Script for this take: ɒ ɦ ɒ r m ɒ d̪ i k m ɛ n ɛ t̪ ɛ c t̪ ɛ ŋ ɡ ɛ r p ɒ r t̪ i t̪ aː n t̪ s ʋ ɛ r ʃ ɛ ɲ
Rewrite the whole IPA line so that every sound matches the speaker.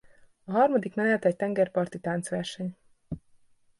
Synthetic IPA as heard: ɒ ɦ ɒ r m ɒ d̪ i k m ɛ n ɛ t̪ ɛ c t̪ ɛ ŋ ɡ ɛ r p ɒ r t̪ i t̪ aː n t̪ s ʋ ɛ r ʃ ɛ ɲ